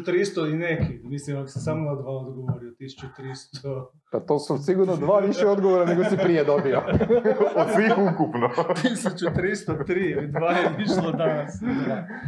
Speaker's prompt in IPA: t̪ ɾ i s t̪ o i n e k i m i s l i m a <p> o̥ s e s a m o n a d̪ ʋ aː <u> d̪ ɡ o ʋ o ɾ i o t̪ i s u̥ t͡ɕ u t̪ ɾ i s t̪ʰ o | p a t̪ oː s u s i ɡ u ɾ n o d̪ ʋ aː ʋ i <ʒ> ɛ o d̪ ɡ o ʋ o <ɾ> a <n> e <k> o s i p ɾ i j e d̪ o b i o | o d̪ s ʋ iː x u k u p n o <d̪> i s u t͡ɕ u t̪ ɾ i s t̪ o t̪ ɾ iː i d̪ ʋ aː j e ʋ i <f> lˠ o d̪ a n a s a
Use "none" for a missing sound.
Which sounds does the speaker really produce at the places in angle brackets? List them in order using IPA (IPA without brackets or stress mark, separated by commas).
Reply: k, o, ʃ, ɾ, n, ɡ, t̪, ʃ